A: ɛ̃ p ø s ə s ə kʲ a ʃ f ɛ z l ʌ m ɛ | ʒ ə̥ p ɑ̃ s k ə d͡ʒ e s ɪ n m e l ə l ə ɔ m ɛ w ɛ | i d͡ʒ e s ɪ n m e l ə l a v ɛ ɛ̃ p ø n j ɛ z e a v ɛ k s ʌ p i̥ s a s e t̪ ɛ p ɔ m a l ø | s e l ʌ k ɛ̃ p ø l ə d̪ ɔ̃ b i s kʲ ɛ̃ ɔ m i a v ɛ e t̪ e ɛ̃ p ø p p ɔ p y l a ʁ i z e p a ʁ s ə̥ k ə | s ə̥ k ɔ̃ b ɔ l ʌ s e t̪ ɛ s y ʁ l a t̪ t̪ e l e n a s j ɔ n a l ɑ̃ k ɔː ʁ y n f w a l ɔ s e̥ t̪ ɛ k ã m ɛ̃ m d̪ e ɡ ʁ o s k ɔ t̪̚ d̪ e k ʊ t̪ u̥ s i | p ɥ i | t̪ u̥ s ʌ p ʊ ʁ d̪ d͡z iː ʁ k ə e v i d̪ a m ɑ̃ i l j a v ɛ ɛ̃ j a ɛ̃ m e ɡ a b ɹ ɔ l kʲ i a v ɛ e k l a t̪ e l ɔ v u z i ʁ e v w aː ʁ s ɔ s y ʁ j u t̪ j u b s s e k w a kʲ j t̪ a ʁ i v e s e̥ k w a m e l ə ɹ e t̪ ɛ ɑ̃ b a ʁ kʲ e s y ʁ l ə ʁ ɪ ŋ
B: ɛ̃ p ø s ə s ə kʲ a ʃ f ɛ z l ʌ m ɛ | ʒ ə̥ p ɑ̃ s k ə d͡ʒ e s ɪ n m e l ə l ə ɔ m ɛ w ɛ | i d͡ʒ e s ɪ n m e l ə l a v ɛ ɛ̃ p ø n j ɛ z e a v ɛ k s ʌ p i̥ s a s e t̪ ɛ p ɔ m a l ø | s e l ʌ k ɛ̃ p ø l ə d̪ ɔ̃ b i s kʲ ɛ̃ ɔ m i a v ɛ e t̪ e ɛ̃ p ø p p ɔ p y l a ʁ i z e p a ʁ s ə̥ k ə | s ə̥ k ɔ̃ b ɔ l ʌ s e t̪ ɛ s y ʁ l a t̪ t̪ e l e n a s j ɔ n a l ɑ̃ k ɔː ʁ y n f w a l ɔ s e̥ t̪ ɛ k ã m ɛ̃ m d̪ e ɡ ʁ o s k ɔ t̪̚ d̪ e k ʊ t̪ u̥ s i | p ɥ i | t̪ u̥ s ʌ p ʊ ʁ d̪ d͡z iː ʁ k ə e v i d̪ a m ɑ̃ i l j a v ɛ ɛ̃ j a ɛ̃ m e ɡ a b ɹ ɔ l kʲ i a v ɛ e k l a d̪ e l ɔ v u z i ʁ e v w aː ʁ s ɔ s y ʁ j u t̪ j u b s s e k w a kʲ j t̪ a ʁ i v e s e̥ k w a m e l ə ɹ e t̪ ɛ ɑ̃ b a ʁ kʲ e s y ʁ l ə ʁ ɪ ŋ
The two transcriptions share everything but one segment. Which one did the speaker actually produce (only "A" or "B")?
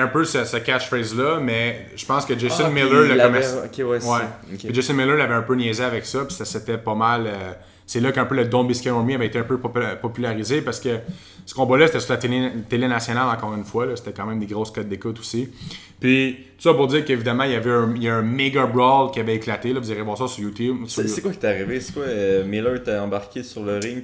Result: A